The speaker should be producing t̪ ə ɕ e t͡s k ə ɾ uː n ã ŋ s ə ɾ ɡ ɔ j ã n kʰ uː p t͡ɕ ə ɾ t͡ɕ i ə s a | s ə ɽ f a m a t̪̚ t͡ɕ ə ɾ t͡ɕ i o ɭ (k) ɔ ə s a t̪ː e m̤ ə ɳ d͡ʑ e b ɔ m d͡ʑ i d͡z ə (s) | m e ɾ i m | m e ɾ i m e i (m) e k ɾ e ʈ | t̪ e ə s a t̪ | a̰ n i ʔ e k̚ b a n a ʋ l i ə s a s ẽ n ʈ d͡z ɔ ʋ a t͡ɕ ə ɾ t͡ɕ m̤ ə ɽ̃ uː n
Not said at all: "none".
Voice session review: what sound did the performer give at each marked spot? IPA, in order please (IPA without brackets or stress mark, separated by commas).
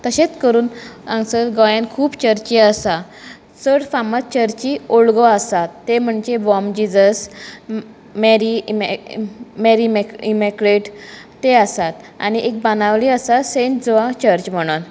ɡ, s, m